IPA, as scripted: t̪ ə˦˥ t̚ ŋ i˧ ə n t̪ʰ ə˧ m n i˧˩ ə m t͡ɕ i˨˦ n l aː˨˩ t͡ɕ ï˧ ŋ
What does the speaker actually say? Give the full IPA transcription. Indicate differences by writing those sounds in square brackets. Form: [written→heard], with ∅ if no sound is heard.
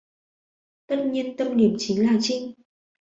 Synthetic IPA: t̪ ə˦˥ t̚ [ŋ→ɲ] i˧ ə n [t̪ʰ→t̪] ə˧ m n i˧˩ ə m t͡ɕ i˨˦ [n→ŋ] l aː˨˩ t͡ɕ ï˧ ŋ